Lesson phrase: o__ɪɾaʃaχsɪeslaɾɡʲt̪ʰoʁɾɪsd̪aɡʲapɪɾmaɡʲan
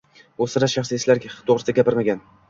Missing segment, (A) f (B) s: B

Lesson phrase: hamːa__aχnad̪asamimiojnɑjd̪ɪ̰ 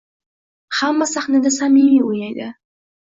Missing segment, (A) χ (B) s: B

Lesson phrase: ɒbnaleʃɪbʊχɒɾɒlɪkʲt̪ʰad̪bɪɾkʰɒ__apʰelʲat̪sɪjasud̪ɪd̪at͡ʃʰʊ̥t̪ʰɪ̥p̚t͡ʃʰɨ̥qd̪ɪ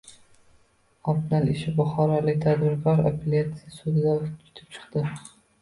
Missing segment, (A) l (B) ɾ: B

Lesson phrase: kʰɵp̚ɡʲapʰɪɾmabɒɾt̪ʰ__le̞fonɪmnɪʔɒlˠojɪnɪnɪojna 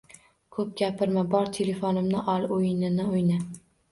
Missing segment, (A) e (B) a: A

